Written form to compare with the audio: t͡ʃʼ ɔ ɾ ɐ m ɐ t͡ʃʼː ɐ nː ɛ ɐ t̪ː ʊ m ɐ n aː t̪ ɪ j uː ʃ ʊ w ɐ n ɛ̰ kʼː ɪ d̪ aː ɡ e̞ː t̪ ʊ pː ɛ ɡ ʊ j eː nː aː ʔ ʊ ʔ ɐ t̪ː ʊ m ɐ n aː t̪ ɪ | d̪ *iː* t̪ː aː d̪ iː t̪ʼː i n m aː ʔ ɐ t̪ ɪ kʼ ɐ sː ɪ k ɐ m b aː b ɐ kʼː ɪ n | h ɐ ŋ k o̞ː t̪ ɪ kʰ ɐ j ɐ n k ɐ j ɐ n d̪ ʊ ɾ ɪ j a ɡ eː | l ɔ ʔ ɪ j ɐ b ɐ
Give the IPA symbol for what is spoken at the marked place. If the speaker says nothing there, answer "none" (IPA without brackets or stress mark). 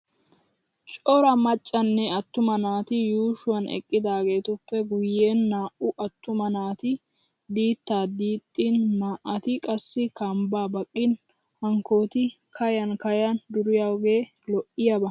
iː